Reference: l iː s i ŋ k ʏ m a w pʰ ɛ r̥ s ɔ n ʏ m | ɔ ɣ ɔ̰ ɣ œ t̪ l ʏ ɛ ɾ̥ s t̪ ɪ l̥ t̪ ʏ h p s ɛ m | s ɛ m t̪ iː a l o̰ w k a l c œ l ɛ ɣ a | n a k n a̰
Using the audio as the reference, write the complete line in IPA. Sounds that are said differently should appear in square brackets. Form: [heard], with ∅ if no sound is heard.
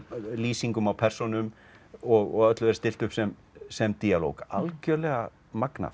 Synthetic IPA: l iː s i ŋ k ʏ m a w pʰ ɛ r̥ s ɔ n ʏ m | ɔ ɣ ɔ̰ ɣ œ t̪ l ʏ ɛ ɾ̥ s t̪ ɪ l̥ t̪ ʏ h p s ɛ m | s ɛ m t̪ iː a l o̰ w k a l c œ l ɛ ɣ a | [m] a k n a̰